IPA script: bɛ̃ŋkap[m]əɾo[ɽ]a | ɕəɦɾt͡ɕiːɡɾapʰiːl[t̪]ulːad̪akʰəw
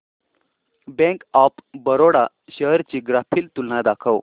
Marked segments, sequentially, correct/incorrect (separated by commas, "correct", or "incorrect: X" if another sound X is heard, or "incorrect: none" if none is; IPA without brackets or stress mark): incorrect: b, correct, correct